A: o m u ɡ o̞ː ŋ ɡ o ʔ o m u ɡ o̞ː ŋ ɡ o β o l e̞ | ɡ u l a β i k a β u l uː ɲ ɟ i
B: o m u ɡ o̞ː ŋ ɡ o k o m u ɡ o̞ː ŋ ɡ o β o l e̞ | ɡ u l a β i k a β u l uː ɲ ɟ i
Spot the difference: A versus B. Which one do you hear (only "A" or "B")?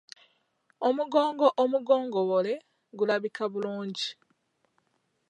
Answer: A